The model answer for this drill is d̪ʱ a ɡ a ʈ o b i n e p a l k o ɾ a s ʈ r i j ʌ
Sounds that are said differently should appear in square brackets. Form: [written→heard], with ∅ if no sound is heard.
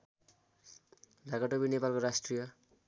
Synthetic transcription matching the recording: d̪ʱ a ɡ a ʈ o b i n e p a l k o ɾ a s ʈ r i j ʌ